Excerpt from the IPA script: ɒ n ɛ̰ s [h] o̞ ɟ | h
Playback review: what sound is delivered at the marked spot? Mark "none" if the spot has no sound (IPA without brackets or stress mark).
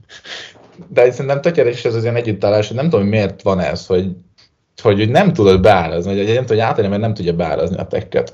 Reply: h